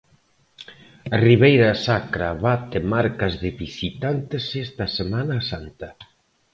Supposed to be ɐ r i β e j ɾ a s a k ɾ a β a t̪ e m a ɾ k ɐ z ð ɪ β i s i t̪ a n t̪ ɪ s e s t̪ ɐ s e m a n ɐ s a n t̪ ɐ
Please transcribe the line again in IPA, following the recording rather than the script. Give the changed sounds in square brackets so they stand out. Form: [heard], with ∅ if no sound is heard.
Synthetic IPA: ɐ r i β e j ɾ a s a k ɾ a β a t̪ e m a ɾ k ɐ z ð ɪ β i s i t̪ a n t̪ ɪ s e s t̪ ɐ s e m a n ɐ s a n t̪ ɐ